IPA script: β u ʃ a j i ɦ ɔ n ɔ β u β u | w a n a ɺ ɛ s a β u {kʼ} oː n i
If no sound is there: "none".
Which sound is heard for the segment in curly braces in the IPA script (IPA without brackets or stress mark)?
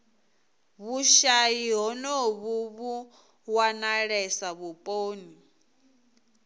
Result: pʼ